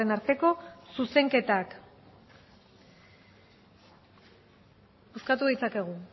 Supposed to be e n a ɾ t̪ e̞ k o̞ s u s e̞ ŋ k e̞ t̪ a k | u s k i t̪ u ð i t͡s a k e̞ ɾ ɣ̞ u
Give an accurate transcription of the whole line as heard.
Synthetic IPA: e n a ɾ t̪ e̞ k o̞ s u s e̞ ŋ k e̞ t̪ a k | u s k a t̪ u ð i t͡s a k e̞ ɣ̞ u